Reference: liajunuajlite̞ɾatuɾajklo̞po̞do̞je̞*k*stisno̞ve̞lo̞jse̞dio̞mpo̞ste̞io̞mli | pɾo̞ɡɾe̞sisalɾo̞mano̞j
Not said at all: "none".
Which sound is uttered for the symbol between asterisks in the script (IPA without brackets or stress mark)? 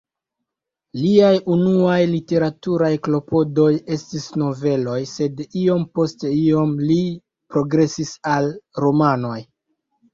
none